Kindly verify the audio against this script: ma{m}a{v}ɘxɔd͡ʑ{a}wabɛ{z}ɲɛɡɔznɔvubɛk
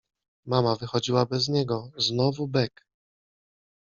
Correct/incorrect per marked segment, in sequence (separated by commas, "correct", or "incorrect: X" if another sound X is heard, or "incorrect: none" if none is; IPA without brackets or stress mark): correct, correct, incorrect: i, correct